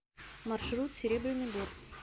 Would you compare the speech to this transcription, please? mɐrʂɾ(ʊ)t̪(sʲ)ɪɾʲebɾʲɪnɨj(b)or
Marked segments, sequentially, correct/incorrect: incorrect: u, correct, correct

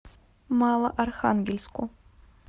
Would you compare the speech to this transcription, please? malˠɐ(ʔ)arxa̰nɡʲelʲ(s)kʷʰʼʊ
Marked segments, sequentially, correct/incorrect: correct, correct

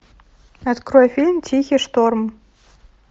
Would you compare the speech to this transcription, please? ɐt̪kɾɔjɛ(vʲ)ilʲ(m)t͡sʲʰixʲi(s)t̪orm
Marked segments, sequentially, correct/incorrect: incorrect: fʲ, correct, incorrect: ʂ

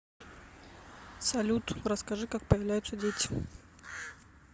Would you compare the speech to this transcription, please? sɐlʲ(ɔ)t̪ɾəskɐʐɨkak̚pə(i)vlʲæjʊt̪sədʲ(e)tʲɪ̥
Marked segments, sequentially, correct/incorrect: incorrect: u, incorrect: j, correct

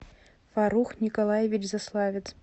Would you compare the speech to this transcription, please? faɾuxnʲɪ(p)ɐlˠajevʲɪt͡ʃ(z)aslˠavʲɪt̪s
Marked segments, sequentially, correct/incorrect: incorrect: k, correct

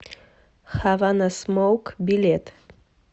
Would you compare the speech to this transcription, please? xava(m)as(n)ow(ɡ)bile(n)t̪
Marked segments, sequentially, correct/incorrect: incorrect: n, incorrect: m, incorrect: k, incorrect: none

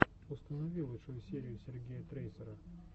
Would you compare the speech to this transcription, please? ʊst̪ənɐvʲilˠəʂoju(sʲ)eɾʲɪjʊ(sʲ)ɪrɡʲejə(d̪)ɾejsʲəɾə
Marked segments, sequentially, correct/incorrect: correct, correct, incorrect: t̪

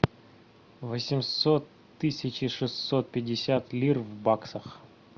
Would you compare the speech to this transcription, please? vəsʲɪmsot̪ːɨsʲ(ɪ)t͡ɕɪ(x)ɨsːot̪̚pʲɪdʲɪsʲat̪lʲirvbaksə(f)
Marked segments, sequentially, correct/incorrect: correct, incorrect: ʂ, incorrect: x

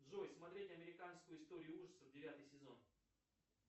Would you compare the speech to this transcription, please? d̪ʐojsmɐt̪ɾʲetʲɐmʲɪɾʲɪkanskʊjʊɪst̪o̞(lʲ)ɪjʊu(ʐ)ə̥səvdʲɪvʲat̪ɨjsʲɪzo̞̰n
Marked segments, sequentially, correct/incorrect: incorrect: ɾʲ, correct

